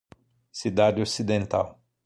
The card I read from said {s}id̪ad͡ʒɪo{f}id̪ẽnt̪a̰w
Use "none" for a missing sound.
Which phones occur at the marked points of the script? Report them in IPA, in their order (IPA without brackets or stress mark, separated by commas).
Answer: s, s